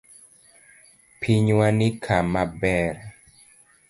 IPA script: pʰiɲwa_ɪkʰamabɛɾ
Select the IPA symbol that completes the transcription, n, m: n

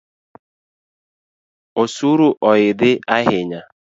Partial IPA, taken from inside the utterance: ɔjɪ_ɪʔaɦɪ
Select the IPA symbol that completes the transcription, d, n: d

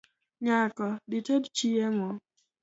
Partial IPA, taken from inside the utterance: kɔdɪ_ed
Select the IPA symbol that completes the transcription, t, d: t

